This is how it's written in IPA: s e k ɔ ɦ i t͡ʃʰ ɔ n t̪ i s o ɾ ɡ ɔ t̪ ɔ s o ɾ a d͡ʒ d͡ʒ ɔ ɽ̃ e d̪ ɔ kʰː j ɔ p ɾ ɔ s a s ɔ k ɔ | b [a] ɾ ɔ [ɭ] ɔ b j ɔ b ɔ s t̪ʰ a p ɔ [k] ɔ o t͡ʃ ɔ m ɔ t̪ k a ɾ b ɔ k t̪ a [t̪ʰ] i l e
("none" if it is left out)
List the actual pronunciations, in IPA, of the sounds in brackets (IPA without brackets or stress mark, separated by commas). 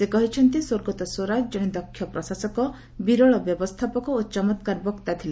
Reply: i, ɭ, k, t̪ʰ